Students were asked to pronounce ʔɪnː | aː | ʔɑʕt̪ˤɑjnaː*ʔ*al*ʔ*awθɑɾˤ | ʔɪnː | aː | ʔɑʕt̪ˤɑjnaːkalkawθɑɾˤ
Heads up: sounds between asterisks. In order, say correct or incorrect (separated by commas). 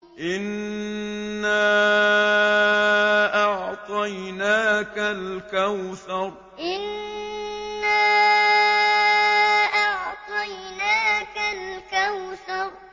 incorrect, incorrect